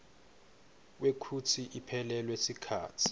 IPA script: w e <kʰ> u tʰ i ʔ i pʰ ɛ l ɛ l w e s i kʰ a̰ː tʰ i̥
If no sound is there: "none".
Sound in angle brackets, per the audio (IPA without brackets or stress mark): kʰ